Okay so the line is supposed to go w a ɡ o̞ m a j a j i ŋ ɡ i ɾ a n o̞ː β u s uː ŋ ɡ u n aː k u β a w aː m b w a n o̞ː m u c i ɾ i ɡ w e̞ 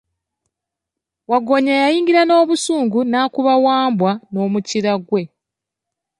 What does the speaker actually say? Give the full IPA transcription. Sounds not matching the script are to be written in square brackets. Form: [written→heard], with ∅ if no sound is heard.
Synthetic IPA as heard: w a ɡ o̞ [m→ɲ] a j a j [i→iː] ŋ ɡ i ɾ a n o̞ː β u s uː ŋ ɡ u n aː k u β a w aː m b w a n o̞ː m u c i ɾ [i→a] ɡ w e̞